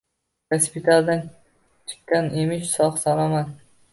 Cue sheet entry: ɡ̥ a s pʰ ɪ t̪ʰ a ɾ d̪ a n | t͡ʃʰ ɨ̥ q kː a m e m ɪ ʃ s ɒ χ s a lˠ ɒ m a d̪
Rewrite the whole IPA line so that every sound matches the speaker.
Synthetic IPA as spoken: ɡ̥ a s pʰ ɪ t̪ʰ a l d̪ a n | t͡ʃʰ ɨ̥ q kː a n e m ɪ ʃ s ɒ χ s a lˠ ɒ m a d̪

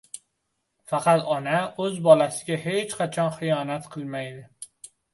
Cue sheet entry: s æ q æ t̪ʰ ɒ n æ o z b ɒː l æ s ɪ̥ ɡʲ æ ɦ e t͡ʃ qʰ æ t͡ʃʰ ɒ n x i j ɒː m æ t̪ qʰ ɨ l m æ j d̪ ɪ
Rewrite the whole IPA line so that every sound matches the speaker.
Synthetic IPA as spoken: f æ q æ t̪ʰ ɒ n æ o z b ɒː l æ s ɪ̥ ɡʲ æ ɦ e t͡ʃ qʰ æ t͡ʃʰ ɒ n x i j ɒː n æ t̪ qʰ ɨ l m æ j d̪ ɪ

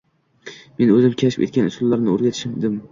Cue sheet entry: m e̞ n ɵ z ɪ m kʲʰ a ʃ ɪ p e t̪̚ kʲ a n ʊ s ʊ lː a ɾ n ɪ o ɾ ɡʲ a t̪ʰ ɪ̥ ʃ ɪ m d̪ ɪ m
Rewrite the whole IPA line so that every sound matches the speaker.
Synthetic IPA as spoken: m e̞ n ɵ z ɪ m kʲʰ a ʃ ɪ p e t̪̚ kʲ a n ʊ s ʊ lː a ɾ n ɪ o ɾ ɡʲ a t̪ʰ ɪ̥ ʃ ɪ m d̪ ɪ m

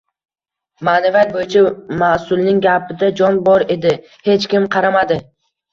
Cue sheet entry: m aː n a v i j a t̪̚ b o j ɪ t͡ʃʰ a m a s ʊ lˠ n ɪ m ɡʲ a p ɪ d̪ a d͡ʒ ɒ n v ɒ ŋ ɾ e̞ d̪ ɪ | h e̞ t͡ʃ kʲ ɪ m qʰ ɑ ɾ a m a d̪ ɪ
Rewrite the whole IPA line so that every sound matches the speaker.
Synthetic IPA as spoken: m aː n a v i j a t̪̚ b o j ɪ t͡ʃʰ a m a s ʊ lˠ n ɪ ŋ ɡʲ a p ɪ d̪ a d͡ʒ ɒ n b ɒ ɾ e̞ d̪ ɪ | h e̞ t͡ʃ kʲ ɪ m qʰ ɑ ɾ a m a d̪ ɪ

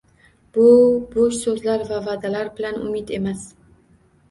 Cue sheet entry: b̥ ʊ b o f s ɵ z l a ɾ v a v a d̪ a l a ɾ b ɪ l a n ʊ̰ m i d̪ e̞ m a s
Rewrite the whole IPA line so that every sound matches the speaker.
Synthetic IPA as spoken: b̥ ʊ b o ʃ s ɵ z l a ɾ v a v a d̪ a l a ɾ b ɪ l a n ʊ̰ m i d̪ e̞ m a s

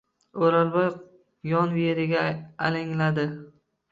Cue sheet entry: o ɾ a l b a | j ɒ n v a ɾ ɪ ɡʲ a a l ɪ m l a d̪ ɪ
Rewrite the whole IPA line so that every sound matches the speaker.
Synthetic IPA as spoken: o ɾ a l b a | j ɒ n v e ɾ ɪ ɡʲ a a l ɪ ŋ l a d̪ ɪ

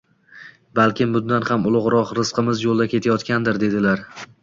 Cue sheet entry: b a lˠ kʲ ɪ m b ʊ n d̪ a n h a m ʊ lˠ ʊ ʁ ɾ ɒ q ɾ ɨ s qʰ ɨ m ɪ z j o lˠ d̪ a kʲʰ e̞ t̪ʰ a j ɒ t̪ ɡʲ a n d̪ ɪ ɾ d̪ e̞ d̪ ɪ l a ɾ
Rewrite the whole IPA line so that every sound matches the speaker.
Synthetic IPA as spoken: b a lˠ kʲ ɪ m b ʊ n d̪ a n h a m ʊ lˠ ʊ ʁ ɾ ɒ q ɾ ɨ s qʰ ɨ m ɪ z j o lˠ d̪ a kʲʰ e̞ t̪ʰ a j ɒ t̪ kʲ a n d̪ ɪ ɾ d̪ e̞ d̪ ɪ l a ɾ

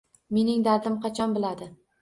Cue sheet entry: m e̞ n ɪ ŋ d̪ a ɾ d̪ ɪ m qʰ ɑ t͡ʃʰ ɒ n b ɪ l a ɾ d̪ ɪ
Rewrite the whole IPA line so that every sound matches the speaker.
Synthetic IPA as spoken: m e̞ n ɪ ŋ d̪ a ɾ d̪ ɪ m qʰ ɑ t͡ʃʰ ɒ n b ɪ l a d̪ ɪ

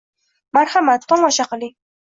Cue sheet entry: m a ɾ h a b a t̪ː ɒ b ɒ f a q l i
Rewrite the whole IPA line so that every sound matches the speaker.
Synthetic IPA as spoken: m a ɾ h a m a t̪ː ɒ m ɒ ʃ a q l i

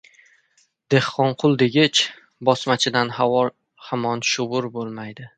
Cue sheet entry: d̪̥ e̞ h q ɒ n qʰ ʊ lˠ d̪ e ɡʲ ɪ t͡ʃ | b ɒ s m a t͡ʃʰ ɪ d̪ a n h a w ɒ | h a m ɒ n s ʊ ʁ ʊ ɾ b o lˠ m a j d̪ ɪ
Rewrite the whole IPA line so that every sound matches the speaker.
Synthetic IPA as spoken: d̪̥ e̞ h q ɒ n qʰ ʊ lˠ d̪ e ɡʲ ɪ t͡ʃ | b ɒ s m a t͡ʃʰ ɪ d̪ a n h a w ɒ | h a m ɒ n ʃ ʊ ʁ ʊ ɾ b o lˠ m a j d̪ ɪ

